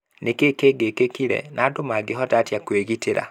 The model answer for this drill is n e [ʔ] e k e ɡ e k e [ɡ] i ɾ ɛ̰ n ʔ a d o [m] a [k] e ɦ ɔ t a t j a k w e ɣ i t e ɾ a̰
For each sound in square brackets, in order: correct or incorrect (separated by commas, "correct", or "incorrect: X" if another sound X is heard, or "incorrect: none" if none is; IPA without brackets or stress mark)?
incorrect: k, incorrect: k, correct, incorrect: ɡ